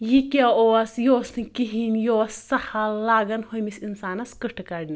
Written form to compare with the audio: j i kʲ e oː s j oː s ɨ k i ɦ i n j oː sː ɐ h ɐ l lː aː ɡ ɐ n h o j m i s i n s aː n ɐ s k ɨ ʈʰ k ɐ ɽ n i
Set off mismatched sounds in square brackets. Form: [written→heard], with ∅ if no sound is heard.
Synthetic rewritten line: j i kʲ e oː s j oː s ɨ k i ɦ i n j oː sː ɐ h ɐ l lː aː ɡ ɐ n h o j m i s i n s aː n ɐ s k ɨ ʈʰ k ɐ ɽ n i